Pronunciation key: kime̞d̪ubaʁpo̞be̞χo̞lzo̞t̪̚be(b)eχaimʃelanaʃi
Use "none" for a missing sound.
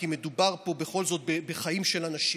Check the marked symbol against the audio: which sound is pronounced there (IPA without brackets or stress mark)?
b